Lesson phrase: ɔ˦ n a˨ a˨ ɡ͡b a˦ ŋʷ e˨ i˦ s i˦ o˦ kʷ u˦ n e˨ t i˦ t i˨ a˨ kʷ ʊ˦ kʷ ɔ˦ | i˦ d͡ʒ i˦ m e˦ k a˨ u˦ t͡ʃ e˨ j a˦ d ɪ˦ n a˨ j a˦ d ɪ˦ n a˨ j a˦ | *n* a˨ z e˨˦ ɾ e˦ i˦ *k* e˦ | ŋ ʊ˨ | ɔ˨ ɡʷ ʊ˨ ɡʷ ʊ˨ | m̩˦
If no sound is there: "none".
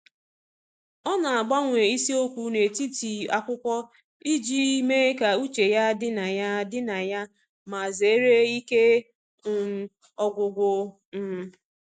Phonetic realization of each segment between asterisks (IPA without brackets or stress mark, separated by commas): m, k